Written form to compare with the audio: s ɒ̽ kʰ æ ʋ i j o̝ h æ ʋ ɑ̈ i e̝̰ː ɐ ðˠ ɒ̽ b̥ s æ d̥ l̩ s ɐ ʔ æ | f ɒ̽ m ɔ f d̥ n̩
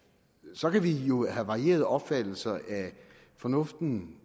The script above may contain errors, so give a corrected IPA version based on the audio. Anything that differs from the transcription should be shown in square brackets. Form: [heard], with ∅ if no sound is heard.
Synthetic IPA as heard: s ɒ̽ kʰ æ ʋ i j o̝ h æ ʋ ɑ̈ i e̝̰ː ɐ ðˠ ɒ̽ b̥ [f] æ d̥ l̩ s ɐ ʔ æ | f ɒ̽ [n] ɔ f d̥ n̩